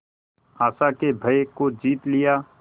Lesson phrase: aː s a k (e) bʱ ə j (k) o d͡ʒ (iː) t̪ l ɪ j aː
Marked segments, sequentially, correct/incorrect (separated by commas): correct, correct, correct